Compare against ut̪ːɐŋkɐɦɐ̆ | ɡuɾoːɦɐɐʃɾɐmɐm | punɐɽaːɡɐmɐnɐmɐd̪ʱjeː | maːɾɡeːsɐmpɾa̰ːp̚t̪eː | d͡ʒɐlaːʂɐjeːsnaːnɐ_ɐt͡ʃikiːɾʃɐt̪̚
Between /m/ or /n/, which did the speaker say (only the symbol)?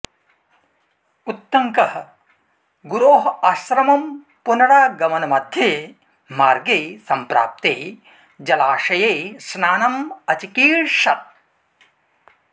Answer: m